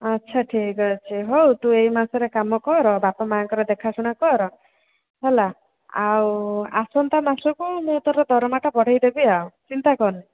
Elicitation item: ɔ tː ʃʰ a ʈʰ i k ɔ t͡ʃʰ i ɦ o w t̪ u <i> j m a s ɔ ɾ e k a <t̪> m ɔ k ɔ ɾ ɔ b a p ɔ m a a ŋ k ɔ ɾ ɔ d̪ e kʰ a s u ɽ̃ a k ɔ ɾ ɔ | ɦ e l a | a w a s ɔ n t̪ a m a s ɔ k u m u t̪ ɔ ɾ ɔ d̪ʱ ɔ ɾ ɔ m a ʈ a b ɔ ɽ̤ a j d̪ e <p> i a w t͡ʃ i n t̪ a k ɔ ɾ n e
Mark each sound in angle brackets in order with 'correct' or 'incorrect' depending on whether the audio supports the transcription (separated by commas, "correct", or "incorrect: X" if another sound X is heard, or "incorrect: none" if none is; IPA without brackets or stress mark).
incorrect: e, incorrect: none, incorrect: b